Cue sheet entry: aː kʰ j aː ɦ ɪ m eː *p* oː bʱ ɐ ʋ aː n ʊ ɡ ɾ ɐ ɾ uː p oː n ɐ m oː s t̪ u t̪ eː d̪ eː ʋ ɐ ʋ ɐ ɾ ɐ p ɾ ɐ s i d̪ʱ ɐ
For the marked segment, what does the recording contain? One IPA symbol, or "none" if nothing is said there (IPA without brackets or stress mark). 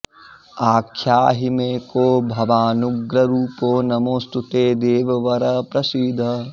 k